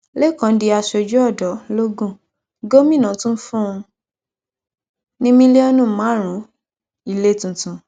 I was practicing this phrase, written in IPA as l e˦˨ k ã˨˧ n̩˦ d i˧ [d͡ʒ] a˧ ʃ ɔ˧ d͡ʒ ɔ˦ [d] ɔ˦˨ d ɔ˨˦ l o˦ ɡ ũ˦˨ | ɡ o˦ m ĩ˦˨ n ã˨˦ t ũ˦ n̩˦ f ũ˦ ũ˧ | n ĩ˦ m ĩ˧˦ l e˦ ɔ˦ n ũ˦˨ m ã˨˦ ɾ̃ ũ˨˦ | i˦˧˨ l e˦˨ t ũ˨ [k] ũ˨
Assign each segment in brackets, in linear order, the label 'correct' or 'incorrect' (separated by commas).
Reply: incorrect, incorrect, incorrect